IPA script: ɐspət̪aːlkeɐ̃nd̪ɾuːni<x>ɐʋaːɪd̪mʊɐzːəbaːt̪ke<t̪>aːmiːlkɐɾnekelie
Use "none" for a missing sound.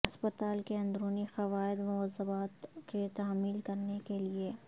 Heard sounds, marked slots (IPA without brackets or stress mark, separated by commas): x, t̪